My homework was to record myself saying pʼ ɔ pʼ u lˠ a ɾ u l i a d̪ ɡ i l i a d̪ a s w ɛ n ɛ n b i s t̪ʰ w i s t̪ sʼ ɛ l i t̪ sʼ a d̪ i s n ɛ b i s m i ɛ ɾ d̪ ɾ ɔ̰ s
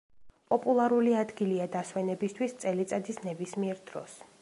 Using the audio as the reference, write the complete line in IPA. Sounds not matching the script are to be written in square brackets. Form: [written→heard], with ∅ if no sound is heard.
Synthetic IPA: pʼ ɔ pʼ u lˠ a ɾ u l i a d̪ ɡ i l i a d̪ a s w ɛ n ɛ [n→∅] b i s t̪ʰ w i s t̪ sʼ ɛ l i t̪ sʼ a d̪ i s n ɛ b i s m i ɛ ɾ d̪ ɾ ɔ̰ s